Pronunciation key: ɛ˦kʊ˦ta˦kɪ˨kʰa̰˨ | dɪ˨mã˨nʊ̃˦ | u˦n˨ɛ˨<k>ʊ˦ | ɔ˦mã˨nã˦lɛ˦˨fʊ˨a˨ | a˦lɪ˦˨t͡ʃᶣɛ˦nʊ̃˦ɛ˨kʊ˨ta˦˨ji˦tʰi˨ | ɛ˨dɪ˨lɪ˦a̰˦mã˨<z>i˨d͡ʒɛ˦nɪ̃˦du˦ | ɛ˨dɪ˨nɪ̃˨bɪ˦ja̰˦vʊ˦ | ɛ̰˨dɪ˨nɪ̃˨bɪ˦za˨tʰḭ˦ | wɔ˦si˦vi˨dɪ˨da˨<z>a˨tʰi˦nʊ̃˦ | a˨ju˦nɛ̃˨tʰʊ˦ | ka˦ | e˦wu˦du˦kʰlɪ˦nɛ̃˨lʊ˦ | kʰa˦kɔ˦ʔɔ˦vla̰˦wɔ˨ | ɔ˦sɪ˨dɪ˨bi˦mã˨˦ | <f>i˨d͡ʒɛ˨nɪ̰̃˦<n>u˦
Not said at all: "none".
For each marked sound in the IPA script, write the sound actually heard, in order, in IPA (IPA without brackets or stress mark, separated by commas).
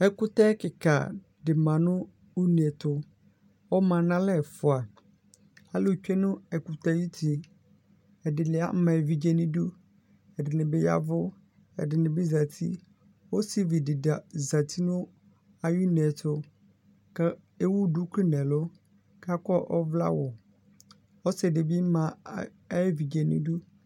t, v, z, v, d